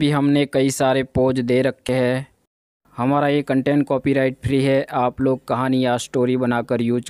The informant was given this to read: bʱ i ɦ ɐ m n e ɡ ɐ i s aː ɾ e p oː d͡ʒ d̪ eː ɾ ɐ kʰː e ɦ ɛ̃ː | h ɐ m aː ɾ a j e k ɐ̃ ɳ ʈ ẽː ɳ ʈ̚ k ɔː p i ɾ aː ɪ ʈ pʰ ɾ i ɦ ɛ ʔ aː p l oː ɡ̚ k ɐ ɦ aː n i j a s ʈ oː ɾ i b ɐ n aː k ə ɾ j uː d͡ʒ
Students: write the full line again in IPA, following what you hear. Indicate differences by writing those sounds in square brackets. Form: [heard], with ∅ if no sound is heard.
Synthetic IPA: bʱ i ɦ ɐ m n e [k] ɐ i s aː ɾ e p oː d͡ʒ d̪ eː ɾ ɐ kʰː e ɦ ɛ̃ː | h ɐ m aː ɾ a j e k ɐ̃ ɳ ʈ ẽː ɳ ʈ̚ k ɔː p i ɾ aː ɪ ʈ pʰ ɾ i ɦ ɛ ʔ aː p l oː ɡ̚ k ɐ ɦ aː n i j a s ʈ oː ɾ i b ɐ n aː k ə ɾ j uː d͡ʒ